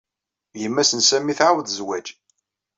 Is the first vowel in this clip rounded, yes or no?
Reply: no